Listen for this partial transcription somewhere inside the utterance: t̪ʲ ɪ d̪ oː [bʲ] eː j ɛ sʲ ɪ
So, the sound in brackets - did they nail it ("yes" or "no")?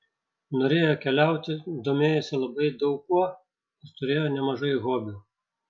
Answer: no